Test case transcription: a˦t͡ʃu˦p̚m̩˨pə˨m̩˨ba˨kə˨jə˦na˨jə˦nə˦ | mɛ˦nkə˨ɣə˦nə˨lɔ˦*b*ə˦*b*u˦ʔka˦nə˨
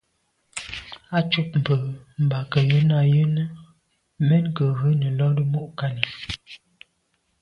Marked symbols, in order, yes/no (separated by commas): no, no